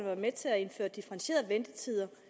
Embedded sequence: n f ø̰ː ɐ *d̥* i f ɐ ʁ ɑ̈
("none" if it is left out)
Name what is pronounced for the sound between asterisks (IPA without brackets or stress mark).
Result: d̥